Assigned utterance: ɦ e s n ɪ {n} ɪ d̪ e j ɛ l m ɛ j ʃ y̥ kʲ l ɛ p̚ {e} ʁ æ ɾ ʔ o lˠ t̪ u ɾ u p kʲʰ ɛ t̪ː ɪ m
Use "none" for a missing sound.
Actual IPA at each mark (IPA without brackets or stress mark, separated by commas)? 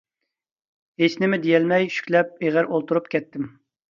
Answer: m, e